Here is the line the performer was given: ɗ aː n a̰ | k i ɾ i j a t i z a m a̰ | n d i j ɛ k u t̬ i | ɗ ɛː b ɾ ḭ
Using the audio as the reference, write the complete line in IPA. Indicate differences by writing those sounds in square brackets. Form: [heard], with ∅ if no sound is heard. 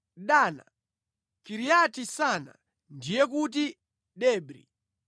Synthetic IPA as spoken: ɗ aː n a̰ | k i ɾ i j a t i [s] a [n] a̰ | n d i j ɛ k u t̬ i | ɗ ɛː b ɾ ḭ